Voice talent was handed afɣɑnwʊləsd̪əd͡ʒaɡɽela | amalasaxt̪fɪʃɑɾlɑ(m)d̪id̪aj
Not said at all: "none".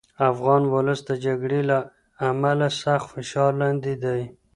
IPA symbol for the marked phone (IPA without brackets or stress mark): n